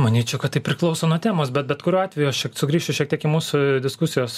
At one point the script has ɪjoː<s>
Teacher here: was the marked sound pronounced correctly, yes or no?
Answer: yes